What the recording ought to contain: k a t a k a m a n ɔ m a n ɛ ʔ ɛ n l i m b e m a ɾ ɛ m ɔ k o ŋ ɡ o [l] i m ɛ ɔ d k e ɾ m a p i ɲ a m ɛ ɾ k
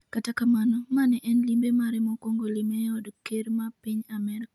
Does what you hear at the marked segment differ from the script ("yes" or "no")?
no